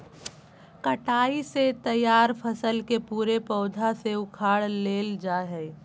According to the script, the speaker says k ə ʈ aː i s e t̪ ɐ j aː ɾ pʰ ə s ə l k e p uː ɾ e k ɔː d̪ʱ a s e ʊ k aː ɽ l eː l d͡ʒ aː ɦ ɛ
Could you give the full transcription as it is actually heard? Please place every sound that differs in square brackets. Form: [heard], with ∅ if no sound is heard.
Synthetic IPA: k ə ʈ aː i s e t̪ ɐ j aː ɾ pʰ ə s ə l k e p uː ɾ e [p] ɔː d̪ʱ a s e ʊ [kʰ] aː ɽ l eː l d͡ʒ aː ɦ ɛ